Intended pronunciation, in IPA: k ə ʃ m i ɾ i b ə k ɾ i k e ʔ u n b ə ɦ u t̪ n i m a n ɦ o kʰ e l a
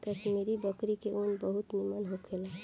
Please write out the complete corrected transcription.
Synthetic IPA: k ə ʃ m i ɾ i b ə k ɾ i k e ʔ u n b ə ɦ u t̪ n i m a n ɦ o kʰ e l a